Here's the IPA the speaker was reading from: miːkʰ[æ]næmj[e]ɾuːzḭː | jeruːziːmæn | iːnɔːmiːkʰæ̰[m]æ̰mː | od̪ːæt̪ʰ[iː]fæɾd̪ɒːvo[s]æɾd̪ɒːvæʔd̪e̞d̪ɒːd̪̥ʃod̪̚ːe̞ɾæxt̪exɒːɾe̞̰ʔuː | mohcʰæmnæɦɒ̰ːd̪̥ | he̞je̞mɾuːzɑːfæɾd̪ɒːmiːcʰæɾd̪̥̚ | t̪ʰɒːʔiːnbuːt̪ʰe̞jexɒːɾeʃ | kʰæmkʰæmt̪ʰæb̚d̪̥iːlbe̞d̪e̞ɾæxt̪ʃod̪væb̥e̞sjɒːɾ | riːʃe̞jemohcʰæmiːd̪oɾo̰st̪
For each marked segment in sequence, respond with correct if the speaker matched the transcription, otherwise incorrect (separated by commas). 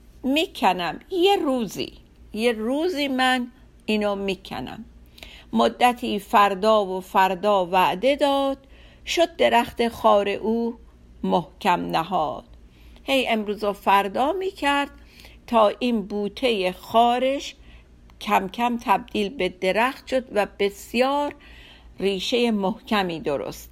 correct, correct, incorrect, correct, incorrect